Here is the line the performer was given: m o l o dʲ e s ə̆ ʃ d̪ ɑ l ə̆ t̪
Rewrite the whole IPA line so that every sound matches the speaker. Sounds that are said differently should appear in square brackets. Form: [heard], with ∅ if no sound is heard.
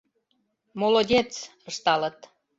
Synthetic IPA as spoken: m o l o dʲ e [t͡s] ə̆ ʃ [t̪] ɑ l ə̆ t̪